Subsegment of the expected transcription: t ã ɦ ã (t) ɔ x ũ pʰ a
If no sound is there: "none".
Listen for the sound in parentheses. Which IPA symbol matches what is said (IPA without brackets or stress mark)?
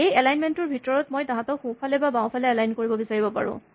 t